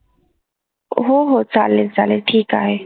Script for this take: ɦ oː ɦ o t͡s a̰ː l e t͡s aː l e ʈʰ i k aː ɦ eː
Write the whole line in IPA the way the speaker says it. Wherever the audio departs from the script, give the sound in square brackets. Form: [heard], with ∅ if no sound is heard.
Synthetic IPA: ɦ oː ɦ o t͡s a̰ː l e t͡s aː l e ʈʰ [iː] k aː ɦ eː